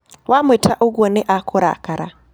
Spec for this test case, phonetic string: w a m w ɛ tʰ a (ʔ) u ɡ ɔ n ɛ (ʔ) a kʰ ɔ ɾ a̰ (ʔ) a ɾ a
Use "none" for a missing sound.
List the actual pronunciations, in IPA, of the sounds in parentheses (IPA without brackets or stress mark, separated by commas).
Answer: ʔ, ʔ, k